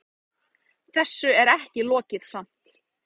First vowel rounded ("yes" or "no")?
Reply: no